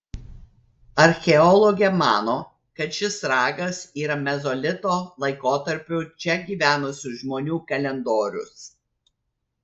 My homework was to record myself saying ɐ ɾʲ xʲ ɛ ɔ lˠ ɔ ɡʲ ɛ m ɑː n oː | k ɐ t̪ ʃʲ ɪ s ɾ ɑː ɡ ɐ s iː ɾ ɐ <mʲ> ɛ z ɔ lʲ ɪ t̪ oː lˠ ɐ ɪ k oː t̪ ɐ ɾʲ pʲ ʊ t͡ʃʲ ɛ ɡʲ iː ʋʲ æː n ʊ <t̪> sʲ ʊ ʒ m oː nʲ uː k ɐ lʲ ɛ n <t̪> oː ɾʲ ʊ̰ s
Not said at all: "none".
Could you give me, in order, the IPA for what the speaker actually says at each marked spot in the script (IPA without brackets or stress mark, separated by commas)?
mʲ, none, d̪